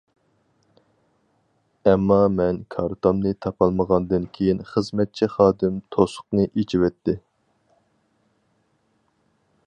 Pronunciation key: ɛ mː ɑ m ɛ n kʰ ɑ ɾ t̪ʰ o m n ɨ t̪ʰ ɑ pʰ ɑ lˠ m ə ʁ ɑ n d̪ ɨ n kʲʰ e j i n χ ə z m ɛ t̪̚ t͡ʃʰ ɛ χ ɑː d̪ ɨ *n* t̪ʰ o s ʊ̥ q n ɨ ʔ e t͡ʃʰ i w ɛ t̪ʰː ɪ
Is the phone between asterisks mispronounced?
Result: yes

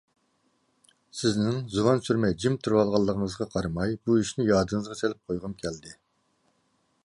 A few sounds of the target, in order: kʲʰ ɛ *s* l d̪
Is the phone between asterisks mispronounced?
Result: yes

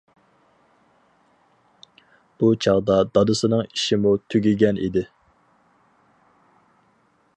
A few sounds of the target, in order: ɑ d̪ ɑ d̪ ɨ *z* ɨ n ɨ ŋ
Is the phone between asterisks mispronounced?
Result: yes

